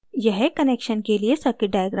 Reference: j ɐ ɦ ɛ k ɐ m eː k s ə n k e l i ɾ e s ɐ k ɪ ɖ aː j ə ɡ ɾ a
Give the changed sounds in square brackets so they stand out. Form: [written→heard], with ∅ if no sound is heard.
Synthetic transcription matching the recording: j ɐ ɦ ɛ k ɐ [m→n] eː k [s→ʃ] ə n k e l i [ɾ→∅] e s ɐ k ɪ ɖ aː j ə ɡ ɾ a